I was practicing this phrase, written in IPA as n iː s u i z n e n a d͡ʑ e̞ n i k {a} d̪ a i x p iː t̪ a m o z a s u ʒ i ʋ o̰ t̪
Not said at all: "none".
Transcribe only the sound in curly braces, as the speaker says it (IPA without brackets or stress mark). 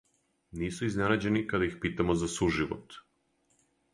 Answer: a